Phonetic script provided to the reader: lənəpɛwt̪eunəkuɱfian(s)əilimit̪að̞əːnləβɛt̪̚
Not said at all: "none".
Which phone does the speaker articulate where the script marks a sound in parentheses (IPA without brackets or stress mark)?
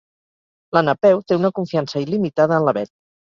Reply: s